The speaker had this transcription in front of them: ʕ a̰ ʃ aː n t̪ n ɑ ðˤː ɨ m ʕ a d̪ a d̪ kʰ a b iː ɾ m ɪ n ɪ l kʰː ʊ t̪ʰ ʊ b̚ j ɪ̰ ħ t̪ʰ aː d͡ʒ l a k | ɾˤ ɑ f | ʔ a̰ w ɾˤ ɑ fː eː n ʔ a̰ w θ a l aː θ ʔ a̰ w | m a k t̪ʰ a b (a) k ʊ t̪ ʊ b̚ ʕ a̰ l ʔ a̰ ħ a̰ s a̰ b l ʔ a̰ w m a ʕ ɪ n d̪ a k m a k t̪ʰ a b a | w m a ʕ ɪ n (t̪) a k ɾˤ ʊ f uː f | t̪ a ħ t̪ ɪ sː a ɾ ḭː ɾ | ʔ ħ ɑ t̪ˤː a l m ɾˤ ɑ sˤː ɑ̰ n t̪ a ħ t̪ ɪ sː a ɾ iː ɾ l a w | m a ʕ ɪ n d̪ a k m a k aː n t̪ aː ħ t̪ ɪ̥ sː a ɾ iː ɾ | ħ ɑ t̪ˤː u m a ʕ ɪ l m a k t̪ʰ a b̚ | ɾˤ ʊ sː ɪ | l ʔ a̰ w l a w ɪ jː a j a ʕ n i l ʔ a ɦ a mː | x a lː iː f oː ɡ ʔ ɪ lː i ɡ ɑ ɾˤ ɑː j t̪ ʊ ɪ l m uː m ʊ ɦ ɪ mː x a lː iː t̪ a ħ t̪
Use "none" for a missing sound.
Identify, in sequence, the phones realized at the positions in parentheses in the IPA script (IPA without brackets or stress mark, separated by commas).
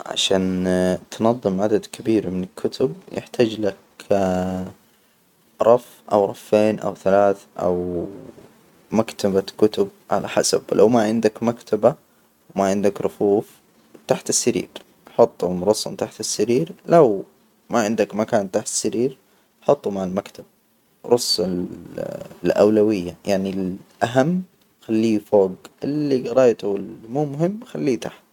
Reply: a, d̪